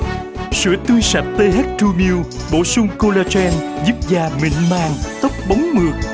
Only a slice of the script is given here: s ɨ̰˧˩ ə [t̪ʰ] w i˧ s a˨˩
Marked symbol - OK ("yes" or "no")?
no